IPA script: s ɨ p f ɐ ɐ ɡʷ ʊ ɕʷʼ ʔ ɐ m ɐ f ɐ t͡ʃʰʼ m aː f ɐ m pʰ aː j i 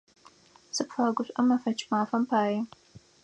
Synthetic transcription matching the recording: s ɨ p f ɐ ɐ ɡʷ ʊ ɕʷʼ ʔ ɐ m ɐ f ɐ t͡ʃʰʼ m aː f ɐ m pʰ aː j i